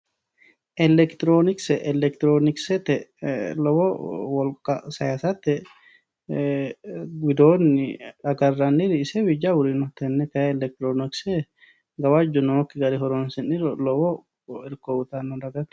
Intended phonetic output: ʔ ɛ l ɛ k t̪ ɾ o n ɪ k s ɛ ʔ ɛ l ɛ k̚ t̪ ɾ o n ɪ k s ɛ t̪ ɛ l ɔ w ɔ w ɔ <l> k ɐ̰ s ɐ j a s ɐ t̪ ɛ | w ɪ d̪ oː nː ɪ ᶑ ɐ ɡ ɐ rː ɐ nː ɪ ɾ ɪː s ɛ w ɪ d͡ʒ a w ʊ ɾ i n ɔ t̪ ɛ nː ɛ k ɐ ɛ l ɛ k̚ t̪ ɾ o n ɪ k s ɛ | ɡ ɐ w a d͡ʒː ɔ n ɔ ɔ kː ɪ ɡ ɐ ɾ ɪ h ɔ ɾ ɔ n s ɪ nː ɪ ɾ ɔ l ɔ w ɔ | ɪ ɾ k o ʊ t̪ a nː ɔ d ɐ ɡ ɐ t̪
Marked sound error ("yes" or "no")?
no